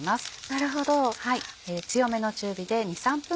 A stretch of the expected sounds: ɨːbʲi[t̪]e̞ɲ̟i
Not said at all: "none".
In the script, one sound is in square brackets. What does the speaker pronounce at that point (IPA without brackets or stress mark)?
d̪